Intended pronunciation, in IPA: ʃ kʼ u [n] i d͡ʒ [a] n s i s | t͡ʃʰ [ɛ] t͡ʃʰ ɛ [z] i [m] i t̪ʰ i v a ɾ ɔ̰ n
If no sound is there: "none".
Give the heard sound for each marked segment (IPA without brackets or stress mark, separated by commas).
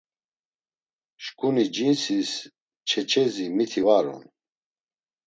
n, i, ɛ, z, m